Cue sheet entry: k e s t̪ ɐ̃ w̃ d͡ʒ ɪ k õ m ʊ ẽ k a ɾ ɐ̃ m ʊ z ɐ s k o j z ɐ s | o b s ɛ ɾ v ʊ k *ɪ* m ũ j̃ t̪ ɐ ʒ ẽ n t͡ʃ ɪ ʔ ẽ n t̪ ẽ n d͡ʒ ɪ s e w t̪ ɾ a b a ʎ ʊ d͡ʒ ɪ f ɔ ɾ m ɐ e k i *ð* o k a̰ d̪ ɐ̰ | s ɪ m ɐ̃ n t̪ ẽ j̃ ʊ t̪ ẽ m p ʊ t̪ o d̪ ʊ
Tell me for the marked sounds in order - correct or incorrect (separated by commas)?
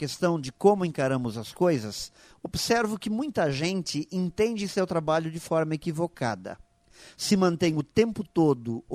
correct, incorrect